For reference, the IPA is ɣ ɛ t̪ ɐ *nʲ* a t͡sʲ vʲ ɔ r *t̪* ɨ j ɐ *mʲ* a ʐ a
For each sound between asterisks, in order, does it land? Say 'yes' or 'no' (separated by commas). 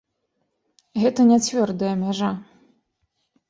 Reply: yes, no, yes